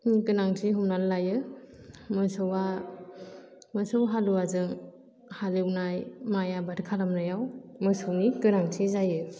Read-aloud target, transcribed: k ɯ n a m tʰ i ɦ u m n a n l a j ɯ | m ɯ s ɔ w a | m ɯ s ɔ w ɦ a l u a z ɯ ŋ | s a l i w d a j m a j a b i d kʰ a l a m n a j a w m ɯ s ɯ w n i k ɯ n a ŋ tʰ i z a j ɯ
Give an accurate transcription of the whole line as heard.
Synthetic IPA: k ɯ n a ŋ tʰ i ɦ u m n a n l a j ɯ | m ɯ s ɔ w a | m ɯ s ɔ w ɦ a l u a z ɯ ŋ | h a l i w n a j m a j a b a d kʰ a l a m n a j a w m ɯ s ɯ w n i k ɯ n a ŋ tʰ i z a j ɯ